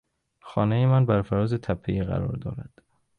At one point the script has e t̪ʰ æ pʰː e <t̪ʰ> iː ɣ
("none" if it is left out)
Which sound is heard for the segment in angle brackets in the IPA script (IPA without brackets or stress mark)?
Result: none